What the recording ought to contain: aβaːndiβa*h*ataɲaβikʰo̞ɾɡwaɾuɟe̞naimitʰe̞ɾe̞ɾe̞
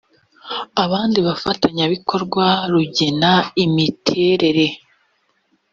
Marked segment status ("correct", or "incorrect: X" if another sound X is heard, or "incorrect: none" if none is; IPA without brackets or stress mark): incorrect: f